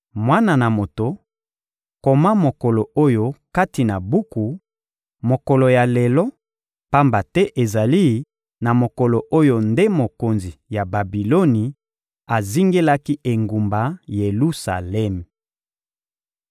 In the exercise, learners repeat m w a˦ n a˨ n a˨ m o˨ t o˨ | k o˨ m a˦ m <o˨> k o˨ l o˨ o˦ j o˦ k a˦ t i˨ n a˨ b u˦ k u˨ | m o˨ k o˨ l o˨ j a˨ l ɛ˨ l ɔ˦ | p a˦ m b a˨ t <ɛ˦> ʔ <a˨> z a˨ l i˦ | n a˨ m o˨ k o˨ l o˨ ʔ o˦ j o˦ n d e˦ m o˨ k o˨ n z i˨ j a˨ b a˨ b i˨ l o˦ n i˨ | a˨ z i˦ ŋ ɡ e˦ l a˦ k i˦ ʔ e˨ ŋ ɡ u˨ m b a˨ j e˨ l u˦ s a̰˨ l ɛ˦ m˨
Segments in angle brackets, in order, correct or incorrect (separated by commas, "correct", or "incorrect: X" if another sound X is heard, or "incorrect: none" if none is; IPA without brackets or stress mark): correct, correct, incorrect: e˨